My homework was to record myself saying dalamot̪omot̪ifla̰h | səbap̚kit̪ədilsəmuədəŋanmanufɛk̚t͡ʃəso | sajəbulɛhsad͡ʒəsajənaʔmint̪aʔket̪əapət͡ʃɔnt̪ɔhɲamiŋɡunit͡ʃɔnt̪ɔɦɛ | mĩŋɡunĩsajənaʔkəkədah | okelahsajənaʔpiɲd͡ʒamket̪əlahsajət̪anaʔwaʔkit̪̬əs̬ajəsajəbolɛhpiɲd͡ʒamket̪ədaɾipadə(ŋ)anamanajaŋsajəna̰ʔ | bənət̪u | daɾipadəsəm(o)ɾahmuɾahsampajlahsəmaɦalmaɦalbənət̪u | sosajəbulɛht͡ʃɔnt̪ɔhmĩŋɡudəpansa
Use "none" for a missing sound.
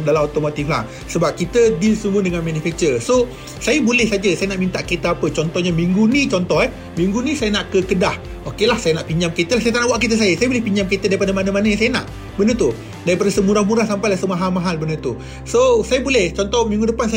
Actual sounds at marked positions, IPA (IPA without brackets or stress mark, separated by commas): m, u